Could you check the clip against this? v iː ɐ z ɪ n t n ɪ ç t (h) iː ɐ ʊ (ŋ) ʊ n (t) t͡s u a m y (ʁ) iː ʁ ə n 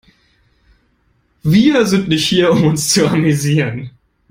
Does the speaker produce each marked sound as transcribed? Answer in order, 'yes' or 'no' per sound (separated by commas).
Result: yes, no, no, no